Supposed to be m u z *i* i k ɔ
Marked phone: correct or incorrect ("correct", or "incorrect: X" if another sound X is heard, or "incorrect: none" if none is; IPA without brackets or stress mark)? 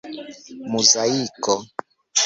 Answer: incorrect: a